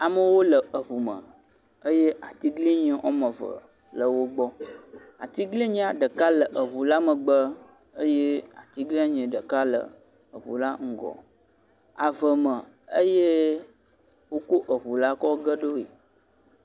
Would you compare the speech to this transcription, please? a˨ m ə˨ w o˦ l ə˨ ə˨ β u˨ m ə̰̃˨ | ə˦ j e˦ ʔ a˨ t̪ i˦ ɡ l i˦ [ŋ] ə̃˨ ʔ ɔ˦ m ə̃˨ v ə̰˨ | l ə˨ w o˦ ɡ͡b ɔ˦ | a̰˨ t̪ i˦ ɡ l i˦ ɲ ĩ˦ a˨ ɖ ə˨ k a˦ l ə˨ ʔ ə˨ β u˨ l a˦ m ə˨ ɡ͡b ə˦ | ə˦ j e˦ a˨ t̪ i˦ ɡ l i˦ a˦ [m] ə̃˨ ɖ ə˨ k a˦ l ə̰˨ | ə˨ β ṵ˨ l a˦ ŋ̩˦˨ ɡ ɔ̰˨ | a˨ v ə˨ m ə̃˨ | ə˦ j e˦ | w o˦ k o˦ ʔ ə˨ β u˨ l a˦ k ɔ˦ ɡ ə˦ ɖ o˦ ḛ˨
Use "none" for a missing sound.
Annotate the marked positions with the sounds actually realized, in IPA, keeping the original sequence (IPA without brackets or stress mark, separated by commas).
ɲ, ɲ